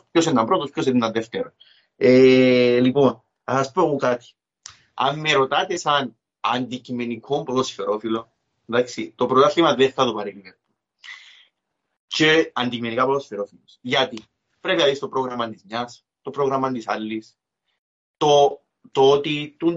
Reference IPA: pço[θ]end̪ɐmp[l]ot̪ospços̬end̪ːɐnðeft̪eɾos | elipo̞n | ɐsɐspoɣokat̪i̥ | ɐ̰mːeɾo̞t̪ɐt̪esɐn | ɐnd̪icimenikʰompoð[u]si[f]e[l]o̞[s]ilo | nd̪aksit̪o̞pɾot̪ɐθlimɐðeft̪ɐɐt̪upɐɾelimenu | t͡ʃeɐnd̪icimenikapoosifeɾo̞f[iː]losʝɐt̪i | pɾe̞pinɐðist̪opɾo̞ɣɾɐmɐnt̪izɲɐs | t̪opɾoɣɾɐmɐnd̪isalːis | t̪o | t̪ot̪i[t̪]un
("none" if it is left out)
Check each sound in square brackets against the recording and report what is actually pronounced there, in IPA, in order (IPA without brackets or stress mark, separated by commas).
s, ɾ, o, f, ɾ, f, i, t̪